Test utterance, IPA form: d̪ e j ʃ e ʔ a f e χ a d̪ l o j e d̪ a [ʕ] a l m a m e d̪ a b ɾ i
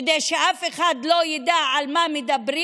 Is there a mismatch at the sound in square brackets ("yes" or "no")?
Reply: no